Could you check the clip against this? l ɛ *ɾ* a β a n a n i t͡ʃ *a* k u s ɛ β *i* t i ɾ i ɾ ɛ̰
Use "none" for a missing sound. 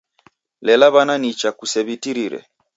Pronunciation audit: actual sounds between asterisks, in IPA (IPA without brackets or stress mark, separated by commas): l, a, i